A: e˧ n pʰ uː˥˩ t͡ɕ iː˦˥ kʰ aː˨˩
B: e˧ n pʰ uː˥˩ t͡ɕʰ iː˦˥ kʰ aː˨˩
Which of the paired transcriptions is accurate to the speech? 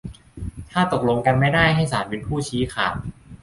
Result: B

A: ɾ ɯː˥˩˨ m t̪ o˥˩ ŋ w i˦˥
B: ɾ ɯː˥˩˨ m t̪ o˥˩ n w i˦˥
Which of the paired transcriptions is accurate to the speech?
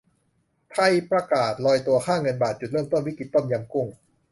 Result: B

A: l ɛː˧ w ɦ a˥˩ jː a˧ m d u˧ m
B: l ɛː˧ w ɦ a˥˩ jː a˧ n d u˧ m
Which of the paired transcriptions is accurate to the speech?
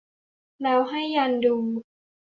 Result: B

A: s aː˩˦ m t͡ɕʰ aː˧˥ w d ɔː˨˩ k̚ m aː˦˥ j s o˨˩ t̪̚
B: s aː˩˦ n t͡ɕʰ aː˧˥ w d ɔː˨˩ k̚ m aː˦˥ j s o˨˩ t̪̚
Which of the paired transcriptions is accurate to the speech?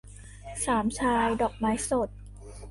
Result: A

